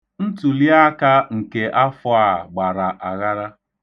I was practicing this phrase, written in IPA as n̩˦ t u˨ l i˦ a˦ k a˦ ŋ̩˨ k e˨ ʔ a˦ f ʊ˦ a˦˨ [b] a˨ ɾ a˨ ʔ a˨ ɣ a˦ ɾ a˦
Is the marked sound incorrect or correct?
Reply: incorrect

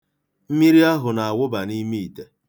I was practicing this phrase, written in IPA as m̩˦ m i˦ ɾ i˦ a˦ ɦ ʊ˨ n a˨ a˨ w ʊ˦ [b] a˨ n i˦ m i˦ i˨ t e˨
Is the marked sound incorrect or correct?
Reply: correct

